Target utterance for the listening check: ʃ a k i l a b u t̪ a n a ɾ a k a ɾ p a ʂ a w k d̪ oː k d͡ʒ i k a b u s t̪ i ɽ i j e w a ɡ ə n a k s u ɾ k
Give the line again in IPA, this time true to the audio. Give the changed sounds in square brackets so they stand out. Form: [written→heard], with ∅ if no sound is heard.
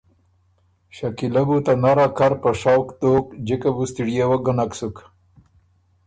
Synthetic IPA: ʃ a k i l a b u t̪ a n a ɾ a k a ɾ p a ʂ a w k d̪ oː k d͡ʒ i k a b u s t̪ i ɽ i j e w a ɡ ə n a k s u [ɾ→∅] k